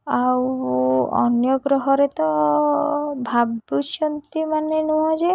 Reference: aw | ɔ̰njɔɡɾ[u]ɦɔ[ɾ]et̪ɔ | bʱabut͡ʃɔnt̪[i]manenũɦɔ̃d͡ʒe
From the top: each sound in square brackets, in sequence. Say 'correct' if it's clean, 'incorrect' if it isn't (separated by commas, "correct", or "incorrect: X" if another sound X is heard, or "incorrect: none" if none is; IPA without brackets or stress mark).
incorrect: ɔ, correct, correct